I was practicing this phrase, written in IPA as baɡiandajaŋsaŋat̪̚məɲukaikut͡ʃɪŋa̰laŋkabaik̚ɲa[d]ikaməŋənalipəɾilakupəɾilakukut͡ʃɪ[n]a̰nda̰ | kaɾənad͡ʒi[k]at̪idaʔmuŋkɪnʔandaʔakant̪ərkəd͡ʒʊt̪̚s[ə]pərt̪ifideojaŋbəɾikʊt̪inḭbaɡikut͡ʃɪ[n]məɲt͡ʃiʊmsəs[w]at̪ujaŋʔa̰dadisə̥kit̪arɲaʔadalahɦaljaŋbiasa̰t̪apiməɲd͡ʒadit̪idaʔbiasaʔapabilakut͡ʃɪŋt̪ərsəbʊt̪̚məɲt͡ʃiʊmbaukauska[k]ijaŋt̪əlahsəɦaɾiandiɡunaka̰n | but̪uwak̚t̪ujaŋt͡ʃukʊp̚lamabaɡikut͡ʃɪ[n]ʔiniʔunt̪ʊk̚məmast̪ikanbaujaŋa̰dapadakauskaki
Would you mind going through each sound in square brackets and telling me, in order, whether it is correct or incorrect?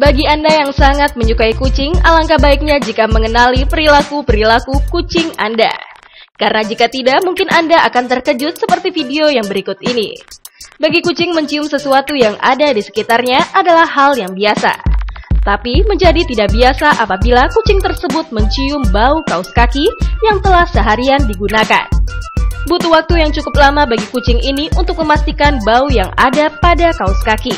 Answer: incorrect, incorrect, correct, correct, incorrect, incorrect, correct, incorrect

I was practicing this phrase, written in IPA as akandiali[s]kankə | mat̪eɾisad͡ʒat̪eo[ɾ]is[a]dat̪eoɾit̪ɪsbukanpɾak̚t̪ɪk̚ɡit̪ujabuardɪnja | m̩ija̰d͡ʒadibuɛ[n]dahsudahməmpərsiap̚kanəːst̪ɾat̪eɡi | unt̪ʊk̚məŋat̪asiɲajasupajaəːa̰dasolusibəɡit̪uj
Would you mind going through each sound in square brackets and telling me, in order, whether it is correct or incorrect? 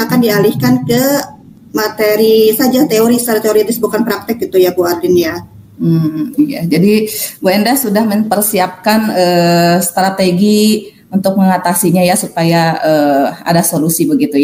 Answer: incorrect, correct, correct, correct

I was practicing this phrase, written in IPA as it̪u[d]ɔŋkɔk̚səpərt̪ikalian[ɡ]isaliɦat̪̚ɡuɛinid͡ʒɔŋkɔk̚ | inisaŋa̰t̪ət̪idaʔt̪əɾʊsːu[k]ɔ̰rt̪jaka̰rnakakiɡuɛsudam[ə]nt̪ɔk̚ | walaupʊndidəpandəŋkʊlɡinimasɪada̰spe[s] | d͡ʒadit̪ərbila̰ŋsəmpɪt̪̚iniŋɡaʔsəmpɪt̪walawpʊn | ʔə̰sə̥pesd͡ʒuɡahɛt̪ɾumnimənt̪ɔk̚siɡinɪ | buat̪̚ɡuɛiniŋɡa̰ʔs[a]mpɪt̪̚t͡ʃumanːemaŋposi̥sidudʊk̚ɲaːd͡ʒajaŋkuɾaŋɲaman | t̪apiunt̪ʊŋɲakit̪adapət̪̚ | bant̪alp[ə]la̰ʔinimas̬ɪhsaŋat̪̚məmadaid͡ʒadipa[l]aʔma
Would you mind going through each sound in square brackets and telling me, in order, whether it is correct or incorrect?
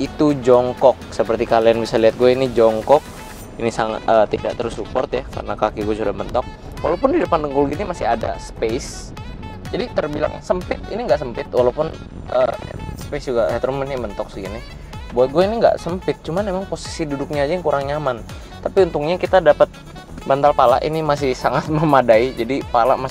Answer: incorrect, incorrect, incorrect, correct, correct, incorrect, incorrect, correct

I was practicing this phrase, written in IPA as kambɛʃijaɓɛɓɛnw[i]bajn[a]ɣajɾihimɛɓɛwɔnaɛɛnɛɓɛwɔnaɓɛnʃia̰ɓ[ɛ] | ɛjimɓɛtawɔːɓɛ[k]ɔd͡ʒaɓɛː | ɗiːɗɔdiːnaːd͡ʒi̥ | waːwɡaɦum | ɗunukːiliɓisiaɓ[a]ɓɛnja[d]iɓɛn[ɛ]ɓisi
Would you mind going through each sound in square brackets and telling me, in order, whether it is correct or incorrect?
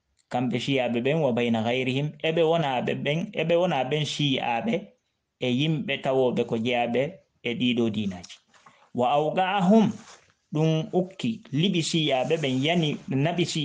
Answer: incorrect, correct, correct, correct, incorrect, incorrect, incorrect

